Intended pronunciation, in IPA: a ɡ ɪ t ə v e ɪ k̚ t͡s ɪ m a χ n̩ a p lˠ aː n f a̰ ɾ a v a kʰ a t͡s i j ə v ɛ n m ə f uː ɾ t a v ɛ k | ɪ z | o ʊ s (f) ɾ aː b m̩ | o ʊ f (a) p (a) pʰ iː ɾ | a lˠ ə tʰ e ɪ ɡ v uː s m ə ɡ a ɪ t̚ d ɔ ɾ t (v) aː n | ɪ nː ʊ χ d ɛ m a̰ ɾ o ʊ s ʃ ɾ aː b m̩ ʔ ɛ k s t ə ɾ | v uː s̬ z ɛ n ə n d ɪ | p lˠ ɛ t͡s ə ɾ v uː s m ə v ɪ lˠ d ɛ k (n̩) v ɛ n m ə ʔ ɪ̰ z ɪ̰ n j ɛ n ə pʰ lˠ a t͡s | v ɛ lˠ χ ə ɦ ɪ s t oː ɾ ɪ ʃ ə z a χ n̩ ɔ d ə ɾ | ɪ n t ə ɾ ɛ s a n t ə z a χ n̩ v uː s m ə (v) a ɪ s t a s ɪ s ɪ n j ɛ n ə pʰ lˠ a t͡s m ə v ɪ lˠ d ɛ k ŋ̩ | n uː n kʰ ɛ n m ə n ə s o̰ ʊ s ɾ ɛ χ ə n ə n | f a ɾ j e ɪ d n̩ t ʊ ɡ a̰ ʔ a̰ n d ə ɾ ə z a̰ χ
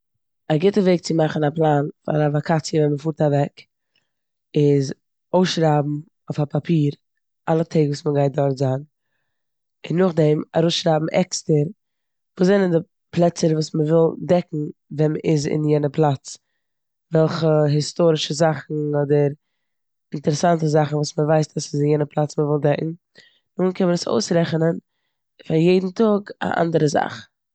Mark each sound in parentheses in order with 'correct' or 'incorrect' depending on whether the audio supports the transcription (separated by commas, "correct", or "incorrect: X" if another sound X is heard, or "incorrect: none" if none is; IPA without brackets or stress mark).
incorrect: ʃ, correct, correct, incorrect: z, incorrect: ŋ̩, correct